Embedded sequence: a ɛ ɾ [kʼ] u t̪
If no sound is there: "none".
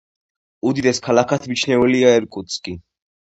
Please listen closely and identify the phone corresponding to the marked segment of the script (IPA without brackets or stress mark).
kʼ